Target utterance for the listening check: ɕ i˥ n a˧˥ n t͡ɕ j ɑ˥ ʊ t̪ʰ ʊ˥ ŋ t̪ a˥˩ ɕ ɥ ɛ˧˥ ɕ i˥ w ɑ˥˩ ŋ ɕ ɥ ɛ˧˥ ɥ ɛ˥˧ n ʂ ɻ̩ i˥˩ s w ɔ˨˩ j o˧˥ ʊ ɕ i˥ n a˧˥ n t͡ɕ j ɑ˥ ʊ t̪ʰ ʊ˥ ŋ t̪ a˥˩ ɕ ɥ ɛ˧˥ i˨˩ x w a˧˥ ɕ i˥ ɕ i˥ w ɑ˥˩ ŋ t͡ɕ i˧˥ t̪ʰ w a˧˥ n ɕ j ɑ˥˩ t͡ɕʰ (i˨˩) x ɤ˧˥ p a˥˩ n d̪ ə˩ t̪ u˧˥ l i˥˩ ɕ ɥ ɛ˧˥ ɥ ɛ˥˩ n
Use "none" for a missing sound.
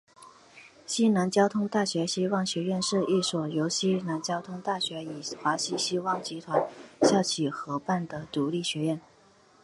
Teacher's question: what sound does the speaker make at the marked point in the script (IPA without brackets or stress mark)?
i˨˩